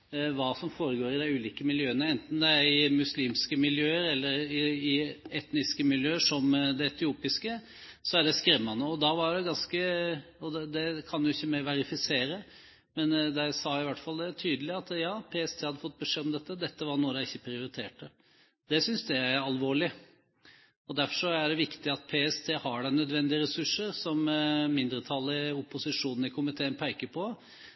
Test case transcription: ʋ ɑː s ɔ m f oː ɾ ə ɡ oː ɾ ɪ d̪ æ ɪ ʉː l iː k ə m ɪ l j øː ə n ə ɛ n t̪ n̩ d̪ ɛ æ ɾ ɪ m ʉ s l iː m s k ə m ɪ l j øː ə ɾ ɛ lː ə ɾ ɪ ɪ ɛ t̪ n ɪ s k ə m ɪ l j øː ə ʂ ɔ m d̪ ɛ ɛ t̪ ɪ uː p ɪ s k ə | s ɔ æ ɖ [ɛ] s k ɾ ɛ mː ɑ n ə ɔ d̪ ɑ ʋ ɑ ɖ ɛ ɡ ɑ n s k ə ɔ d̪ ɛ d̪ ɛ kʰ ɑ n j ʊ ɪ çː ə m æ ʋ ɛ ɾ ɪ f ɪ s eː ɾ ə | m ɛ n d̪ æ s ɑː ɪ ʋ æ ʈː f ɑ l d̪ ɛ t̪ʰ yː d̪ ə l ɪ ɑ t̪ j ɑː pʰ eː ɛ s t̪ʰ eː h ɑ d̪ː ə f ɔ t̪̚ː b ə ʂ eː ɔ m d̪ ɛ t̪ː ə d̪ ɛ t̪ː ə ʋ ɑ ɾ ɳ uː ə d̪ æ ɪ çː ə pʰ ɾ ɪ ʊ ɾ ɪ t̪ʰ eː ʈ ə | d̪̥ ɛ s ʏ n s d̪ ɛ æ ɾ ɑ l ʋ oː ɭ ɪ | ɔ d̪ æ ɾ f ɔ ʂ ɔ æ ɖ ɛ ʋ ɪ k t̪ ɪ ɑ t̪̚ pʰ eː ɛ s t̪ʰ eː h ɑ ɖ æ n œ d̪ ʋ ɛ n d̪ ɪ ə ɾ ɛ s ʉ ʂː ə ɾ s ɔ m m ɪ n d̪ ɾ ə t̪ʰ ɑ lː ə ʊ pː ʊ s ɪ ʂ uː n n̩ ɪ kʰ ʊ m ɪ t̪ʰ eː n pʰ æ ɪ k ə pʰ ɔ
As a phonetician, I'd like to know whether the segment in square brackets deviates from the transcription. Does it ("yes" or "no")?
no